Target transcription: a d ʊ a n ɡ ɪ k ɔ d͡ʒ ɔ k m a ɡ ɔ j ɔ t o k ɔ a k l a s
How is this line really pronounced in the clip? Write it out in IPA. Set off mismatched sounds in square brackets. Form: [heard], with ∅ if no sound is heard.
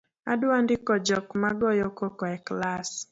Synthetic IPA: a d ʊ a n [d] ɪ k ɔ d͡ʒ ɔ k m a ɡ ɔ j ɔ [k] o k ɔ [ɛ] k l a s

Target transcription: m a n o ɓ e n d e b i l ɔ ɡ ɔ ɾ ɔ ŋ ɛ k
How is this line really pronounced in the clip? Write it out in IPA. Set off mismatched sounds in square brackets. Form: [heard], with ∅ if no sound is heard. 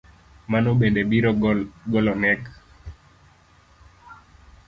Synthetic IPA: m a n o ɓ e n d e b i [ɾ] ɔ ɡ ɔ [l] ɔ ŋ ɛ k

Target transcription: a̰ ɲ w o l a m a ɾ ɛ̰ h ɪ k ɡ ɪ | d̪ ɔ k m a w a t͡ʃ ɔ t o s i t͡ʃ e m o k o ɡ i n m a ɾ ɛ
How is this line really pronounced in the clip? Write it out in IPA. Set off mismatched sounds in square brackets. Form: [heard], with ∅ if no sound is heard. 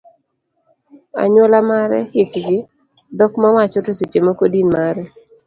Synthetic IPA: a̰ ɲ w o l a m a ɾ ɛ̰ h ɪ k ɡ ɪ | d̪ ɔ k m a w a t͡ʃ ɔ t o s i t͡ʃ e m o k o [d] i n m a ɾ ɛ

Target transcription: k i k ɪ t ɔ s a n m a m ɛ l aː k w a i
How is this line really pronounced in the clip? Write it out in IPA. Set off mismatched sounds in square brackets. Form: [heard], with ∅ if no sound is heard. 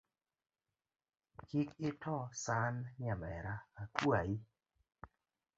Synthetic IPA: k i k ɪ t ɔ s a n [ɲ] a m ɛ [ɾ] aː k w a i

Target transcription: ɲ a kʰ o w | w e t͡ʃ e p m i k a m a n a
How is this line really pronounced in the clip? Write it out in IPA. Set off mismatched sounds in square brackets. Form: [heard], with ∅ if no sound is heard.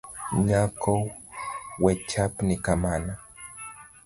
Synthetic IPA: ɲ a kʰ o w | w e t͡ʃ [a] p [n] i k a m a n a

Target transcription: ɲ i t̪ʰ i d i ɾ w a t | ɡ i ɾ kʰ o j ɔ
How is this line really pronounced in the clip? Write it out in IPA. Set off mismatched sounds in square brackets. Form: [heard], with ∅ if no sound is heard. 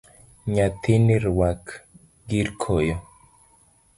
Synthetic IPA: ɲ [a] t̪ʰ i [n] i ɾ w a [k] | ɡ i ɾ kʰ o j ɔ

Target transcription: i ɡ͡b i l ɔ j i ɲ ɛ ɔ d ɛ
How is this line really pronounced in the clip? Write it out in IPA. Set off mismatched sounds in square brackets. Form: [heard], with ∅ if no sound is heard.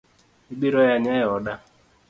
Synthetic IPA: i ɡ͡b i [ɾ] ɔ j [a] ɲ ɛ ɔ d [a]

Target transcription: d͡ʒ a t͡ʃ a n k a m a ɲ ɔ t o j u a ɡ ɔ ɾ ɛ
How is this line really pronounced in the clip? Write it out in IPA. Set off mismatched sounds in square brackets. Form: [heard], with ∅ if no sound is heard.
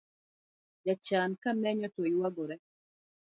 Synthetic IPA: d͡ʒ a t͡ʃ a n k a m [ɛ] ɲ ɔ t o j [w] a ɡ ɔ ɾ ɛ

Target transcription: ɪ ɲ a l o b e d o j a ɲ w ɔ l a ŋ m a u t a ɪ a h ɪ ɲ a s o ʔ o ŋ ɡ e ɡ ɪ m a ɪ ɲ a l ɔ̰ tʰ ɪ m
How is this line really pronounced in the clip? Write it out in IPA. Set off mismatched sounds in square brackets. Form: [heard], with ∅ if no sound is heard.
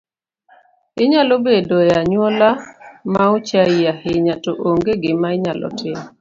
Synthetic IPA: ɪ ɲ a l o b e d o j a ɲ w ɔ l a [∅] m a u [t͡ʃ] a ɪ a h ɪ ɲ a [t] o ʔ o ŋ ɡ e ɡ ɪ m a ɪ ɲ a l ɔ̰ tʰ ɪ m

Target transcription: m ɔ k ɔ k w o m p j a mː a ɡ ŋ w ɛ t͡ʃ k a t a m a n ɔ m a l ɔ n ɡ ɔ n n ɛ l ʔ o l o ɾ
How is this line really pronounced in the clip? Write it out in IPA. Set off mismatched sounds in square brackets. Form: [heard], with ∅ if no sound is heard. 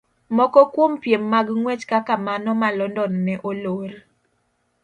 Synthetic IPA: m ɔ k ɔ k w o m p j [e] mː a ɡ ŋ w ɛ t͡ʃ k a [k] a m a n ɔ m a l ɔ n [d] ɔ n n ɛ [∅] ʔ o l o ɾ

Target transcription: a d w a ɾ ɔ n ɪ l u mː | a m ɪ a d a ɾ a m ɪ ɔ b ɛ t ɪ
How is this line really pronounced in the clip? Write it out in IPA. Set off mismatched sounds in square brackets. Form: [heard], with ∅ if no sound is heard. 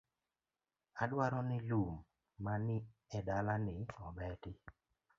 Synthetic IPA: a d w a ɾ ɔ n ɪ l u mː | a [n] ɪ [ɛ] d a [l] a [n] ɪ ɔ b ɛ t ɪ

